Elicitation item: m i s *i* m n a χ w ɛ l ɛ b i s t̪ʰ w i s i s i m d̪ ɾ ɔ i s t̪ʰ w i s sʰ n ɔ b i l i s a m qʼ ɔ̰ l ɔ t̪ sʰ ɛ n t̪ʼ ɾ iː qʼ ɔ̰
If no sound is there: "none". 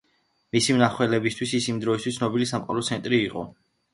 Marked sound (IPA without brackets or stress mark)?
i